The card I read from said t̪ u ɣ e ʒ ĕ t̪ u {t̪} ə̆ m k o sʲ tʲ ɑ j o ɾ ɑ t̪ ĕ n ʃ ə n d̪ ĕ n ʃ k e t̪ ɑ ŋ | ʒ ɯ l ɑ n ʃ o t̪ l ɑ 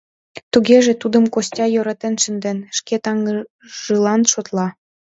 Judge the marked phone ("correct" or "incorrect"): incorrect